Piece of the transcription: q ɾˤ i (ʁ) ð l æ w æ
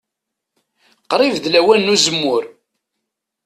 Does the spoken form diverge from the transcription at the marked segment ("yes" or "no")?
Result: yes